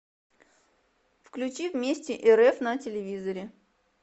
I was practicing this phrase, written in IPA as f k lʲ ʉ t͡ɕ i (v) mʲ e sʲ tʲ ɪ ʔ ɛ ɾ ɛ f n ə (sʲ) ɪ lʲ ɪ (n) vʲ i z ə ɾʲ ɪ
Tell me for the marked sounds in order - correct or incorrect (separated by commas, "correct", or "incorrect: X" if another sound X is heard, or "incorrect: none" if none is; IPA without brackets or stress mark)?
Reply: correct, incorrect: tʲ, incorrect: none